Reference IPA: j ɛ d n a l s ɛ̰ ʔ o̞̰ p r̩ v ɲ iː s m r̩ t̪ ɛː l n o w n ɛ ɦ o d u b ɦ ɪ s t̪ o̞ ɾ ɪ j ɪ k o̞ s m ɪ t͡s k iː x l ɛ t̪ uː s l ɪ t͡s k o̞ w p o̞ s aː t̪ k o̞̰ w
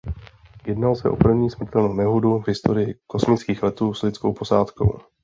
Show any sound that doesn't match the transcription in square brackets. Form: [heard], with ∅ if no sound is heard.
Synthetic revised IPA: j ɛ d n a l s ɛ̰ ʔ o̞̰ p r̩ v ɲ iː s m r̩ t̪ [ɛ] l n o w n ɛ ɦ o d u [v] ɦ ɪ s t̪ o̞ ɾ ɪ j ɪ k o̞ s m ɪ t͡s k iː x l ɛ t̪ uː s l ɪ t͡s k o̞ w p o̞ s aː t̪ k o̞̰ w

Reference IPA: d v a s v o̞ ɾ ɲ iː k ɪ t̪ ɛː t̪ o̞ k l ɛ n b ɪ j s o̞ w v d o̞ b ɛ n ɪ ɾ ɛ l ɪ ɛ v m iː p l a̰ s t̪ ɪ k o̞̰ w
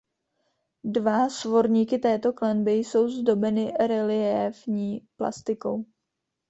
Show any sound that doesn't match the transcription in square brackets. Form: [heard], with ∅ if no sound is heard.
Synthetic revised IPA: d v a s v o̞ ɾ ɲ iː k ɪ t̪ ɛː t̪ o̞ k l ɛ n b ɪ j s o̞ w [z] d o̞ b ɛ n ɪ ɾ ɛ l ɪ ɛ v [ɲ] iː p l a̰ s t̪ ɪ k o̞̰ w

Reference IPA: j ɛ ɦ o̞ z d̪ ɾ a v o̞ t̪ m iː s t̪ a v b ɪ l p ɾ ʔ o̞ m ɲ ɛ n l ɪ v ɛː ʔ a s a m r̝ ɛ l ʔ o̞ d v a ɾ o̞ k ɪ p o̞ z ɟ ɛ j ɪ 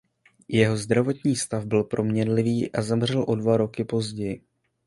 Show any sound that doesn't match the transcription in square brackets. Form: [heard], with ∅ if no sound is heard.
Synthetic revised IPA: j ɛ ɦ o̞ z d̪ ɾ a v o̞ t̪ [ɲ] iː s t̪ a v b ɪ l p ɾ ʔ o̞ m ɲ ɛ n l ɪ v [iː] ʔ a [z] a m r̝ ɛ l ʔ o̞ d v a ɾ o̞ k ɪ p o̞ z ɟ ɛ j ɪ

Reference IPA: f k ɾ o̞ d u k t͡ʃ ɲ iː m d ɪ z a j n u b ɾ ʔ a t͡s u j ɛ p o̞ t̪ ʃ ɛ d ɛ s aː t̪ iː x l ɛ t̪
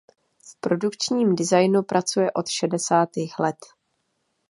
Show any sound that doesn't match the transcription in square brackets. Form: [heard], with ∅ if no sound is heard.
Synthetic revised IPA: f [p] ɾ o̞ d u k t͡ʃ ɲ iː m d ɪ z a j n u [p] ɾ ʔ a t͡s u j ɛ [ʔ] o̞ t̪ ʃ ɛ d ɛ s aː t̪ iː x l ɛ t̪

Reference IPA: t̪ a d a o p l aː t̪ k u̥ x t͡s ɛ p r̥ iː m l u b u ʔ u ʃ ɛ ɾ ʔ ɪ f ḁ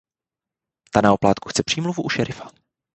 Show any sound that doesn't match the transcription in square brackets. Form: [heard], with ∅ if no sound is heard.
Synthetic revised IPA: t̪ a [n] a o p l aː t̪ k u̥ x t͡s ɛ p r̥ iː m l u [v] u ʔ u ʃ ɛ ɾ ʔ ɪ f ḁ

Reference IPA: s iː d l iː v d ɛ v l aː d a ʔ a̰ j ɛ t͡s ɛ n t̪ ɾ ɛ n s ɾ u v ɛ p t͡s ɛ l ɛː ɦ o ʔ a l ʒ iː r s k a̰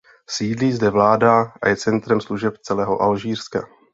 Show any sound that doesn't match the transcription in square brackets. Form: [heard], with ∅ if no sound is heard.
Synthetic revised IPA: s iː d l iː [z] d ɛ v l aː d a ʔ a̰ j ɛ t͡s ɛ n t̪ ɾ ɛ [m] s [l] u [ʒ] ɛ p t͡s ɛ l ɛː ɦ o ʔ a l ʒ iː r s k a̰

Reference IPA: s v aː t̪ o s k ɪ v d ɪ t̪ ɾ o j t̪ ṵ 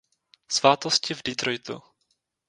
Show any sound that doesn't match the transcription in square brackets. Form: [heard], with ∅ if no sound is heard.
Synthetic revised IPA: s v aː t̪ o s [c] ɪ v d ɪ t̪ ɾ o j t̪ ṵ

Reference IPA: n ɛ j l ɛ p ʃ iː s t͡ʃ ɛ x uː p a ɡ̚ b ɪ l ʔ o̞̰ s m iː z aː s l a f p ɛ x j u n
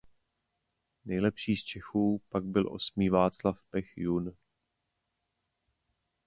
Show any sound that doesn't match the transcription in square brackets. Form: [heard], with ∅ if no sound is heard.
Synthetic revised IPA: n ɛ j l ɛ p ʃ iː s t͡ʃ ɛ x uː p a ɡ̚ b ɪ l ʔ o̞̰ s m iː [v] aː [t͡s] l a f p ɛ x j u n

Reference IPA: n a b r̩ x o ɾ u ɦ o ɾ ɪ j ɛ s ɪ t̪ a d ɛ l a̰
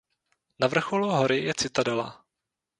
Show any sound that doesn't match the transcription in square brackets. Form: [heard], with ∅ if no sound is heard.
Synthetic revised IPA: n a [v] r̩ x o [l] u ɦ o ɾ ɪ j ɛ [t͡s] ɪ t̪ a d ɛ l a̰

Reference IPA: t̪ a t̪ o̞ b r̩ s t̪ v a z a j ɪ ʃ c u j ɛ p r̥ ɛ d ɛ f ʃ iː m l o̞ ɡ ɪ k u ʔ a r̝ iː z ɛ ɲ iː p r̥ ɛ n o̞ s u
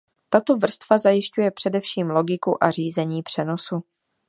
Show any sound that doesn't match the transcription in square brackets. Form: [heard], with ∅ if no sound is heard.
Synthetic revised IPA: t̪ a t̪ o̞ [v] r̩ s t̪ v a z a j ɪ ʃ c u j ɛ p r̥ ɛ d ɛ f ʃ iː m l o̞ ɡ ɪ k u ʔ a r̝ iː z ɛ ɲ iː p r̥ ɛ n o̞ s u

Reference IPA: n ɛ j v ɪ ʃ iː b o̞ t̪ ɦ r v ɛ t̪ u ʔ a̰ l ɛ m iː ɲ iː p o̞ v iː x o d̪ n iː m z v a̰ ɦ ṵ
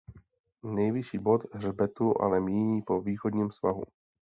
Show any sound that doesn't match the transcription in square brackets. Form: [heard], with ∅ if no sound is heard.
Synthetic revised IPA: n ɛ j v ɪ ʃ iː b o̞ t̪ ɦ r [b] ɛ t̪ u ʔ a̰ l ɛ m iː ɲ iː p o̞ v iː x o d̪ [ɲ] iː m [s] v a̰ ɦ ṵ

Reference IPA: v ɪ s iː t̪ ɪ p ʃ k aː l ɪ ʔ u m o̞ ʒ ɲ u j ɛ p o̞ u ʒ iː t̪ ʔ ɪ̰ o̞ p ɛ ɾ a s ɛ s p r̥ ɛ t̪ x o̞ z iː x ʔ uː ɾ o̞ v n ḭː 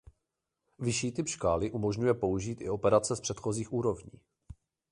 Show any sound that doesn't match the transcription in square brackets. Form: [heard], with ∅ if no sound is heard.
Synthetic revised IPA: v ɪ [ʃ] iː t̪ ɪ p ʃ k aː l ɪ ʔ u m o̞ ʒ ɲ u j ɛ p o̞ u ʒ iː t̪ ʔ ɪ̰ o̞ p ɛ ɾ a [t͡s] ɛ s p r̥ ɛ t̪ x o̞ z iː x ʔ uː ɾ o̞ v [ɲ] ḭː

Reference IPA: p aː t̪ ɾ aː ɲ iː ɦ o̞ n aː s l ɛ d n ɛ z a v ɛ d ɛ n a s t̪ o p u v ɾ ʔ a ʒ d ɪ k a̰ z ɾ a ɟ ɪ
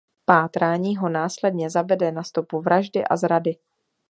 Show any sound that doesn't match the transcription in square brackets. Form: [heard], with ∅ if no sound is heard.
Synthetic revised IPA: p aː t̪ ɾ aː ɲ iː ɦ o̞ n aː s l ɛ d [ɲ] ɛ z a v ɛ d ɛ n a s t̪ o p u v ɾ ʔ a ʒ d ɪ [ʔ] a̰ z ɾ a [d] ɪ

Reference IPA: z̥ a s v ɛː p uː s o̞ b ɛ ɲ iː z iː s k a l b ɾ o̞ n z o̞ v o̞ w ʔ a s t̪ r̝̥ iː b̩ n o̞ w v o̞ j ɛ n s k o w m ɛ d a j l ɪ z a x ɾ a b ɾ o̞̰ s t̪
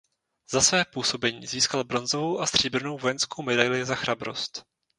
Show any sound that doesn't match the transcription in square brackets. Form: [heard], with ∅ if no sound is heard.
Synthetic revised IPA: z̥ a s v ɛː p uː s o̞ b ɛ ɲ iː z iː s k a l b ɾ o̞ n z o̞ v o̞ w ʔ a s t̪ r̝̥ iː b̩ n o̞ w v o̞ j ɛ n s k o w m ɛ d a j l ɪ z a x ɾ a b ɾ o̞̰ s t̪

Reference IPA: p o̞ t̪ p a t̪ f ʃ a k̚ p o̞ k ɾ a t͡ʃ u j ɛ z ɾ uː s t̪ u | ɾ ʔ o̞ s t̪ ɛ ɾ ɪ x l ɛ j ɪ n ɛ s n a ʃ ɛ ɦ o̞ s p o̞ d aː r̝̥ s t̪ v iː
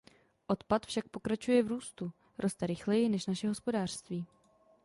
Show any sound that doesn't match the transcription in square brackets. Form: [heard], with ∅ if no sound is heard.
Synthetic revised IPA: [ʔ] o̞ t̪ p a t̪ f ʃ a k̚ p o̞ k ɾ a t͡ʃ u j ɛ [v] ɾ uː s t̪ u | ɾ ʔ o̞ s t̪ ɛ ɾ ɪ x l ɛ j ɪ n ɛ [ʃ] n a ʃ ɛ ɦ o̞ s p o̞ d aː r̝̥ s t̪ v iː

